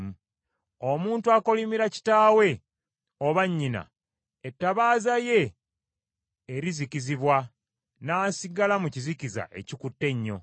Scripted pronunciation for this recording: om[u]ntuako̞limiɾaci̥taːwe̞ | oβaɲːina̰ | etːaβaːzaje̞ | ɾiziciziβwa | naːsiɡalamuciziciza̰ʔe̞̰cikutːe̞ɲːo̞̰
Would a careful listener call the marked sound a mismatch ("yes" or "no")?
yes